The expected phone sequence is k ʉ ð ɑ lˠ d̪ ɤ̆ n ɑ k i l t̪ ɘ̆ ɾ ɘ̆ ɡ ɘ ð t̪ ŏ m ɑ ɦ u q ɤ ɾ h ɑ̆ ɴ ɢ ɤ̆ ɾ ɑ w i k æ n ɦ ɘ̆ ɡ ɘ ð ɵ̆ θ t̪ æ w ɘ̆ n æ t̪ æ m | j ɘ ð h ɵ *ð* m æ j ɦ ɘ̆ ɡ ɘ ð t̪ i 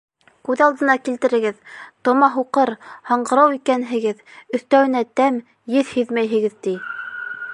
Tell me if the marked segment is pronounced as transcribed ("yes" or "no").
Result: yes